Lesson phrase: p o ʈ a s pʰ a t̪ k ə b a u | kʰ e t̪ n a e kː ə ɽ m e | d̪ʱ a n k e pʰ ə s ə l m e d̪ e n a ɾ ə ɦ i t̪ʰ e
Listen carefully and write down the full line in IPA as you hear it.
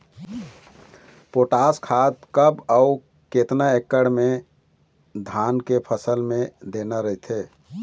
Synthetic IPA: p o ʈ a s kʰ a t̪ k ə b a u | k e t̪ n a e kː ə ɽ m e | d̪ʱ a n k e pʰ ə s ə l m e d̪ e n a ɾ ə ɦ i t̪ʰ e